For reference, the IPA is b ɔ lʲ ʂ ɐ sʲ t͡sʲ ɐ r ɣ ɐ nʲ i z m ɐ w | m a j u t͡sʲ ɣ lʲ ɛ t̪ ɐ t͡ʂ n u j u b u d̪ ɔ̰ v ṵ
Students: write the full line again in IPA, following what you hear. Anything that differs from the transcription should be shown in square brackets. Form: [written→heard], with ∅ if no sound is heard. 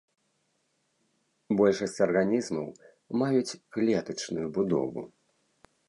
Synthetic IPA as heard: b ɔ lʲ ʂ ɐ sʲ t͡sʲ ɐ r ɣ [ɐ→a] nʲ i z m ɐ w | m a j u t͡sʲ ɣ lʲ ɛ t̪ ɐ t͡ʂ n u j u b u d̪ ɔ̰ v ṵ